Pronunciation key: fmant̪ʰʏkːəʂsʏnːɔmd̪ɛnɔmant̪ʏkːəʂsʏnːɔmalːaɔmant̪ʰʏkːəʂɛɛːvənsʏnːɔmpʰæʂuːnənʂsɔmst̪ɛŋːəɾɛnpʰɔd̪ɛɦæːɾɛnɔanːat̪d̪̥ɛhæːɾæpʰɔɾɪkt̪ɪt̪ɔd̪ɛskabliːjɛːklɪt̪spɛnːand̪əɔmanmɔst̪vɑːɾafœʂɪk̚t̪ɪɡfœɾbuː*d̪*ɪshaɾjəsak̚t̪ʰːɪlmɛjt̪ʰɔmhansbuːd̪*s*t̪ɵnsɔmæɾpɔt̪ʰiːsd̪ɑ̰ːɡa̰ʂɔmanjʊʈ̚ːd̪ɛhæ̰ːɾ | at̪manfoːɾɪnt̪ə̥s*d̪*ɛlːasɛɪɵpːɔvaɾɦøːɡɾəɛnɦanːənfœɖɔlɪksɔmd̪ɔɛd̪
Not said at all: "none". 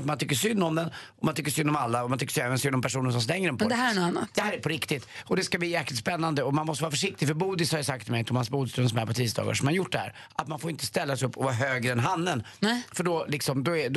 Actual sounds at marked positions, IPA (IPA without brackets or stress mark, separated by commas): d̪, s, t̪